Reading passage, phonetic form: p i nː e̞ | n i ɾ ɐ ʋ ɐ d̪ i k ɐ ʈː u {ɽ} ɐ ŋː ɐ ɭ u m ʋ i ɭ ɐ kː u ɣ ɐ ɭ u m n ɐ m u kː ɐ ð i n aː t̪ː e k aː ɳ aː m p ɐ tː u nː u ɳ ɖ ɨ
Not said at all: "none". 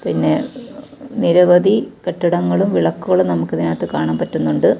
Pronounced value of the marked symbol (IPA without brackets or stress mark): ɽ